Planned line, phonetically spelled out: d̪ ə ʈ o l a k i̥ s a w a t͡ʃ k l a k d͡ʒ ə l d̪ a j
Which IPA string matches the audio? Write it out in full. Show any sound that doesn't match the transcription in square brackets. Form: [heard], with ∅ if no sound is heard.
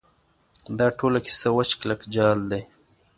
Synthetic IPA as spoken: d̪ [ɑ] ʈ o l a k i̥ s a w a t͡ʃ k l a k d͡ʒ [ɑ] l d̪ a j